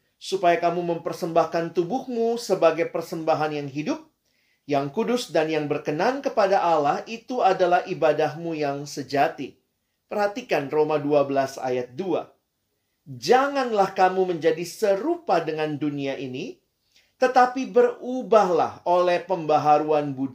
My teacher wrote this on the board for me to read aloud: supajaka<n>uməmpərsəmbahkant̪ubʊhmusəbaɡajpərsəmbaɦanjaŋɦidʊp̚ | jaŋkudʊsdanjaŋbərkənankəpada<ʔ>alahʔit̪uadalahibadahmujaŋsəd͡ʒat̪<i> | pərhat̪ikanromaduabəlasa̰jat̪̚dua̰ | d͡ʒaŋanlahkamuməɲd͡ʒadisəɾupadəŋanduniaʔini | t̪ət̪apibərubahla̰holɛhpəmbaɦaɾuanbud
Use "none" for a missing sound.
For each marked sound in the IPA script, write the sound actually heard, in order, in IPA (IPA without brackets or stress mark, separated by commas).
m, ʔ, i